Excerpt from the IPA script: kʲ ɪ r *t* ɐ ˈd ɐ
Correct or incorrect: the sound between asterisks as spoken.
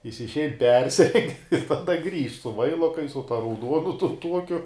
correct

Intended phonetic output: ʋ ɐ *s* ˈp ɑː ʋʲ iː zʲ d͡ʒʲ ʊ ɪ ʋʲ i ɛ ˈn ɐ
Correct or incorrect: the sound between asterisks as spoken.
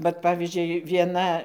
incorrect: t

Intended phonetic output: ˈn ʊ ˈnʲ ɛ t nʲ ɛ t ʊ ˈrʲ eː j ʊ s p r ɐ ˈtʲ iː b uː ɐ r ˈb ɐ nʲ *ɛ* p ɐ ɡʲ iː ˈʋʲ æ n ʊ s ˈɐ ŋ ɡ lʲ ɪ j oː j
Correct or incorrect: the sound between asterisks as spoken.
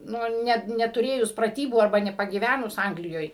correct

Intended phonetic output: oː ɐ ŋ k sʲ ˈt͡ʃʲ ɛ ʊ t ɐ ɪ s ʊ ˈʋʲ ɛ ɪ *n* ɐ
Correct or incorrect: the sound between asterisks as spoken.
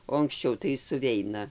correct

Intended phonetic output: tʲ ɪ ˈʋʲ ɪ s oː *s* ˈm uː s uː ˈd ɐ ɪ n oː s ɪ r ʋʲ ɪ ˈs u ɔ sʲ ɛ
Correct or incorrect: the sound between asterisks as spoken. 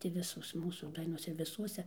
correct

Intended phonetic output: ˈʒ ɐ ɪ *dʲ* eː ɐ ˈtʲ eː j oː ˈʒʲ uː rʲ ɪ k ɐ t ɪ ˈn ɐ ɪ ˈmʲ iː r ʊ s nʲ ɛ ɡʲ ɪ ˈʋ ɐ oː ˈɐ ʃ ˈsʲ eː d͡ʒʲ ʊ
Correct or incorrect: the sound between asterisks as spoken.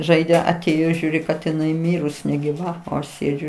correct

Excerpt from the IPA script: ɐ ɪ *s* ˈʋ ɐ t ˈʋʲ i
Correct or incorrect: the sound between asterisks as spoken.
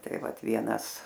incorrect: none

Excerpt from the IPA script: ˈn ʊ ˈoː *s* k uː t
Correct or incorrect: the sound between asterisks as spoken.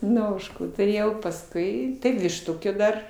incorrect: ʃ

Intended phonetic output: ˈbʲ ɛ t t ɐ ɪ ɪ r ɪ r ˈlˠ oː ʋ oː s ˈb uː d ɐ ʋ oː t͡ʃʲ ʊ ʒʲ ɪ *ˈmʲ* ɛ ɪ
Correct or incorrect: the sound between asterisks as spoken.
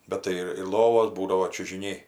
incorrect: nʲ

